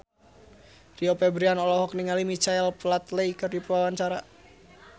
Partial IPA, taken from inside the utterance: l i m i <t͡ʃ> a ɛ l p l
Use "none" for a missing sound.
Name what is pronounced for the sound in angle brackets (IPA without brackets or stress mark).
t͡ʃ